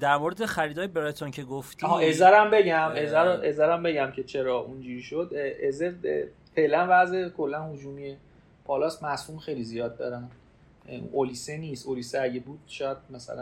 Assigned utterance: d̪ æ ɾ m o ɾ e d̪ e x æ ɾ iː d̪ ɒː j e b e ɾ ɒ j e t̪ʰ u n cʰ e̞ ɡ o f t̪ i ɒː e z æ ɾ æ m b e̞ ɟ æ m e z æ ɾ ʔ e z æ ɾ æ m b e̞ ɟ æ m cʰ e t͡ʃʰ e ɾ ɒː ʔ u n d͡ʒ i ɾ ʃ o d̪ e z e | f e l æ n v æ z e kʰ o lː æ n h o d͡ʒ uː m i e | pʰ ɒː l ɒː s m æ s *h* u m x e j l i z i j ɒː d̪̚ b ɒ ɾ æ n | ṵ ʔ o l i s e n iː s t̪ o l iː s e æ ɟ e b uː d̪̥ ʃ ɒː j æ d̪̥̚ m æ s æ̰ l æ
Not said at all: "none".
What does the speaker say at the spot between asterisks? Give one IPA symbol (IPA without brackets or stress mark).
h